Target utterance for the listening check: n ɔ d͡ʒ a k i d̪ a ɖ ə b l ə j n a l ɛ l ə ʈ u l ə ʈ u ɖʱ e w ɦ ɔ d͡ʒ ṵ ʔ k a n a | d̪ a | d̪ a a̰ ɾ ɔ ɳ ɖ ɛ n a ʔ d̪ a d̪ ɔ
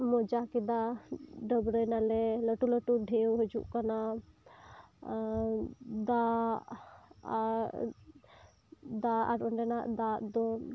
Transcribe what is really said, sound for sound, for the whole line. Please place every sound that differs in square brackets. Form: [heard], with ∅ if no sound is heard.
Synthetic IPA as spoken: [m] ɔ d͡ʒ a k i d̪ a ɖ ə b [ɾ] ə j n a l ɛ l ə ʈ u l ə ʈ u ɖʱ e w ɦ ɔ d͡ʒ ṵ ʔ k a n a | d̪ a | d̪ a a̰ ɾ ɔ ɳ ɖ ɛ n a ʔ d̪ a d̪ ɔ